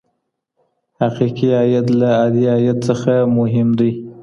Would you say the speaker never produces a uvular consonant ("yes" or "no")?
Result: no